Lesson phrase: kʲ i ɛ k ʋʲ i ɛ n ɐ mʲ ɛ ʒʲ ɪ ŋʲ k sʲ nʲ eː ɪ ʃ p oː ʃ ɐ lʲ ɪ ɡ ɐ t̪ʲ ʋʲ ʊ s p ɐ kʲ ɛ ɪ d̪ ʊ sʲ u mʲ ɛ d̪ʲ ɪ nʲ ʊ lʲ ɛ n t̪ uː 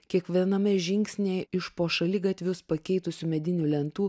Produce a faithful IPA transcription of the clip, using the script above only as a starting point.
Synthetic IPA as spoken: kʲ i ɛ k ʋʲ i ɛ n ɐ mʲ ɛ ʒʲ ɪ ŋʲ k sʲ nʲ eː ɪ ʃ p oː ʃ ɐ lʲ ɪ ɡ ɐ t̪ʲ ʋʲ ʊ s p ɐ kʲ ɛ ɪ t̪ ʊ sʲ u mʲ ɛ d̪ʲ ɪ nʲ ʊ lʲ ɛ n t̪ uː